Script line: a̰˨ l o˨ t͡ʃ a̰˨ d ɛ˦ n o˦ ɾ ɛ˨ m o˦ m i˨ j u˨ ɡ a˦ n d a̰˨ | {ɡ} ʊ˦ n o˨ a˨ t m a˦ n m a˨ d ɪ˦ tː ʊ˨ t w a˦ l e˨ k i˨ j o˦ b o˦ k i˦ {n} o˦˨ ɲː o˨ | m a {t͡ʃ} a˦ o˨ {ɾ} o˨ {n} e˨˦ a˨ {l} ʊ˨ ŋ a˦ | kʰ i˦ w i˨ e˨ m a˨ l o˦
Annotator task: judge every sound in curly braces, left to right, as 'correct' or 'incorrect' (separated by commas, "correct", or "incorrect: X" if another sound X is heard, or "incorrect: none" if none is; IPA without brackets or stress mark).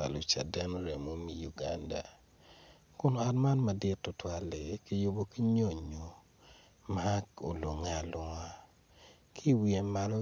incorrect: k, incorrect: ɲ, incorrect: none, incorrect: l, incorrect: ŋ, correct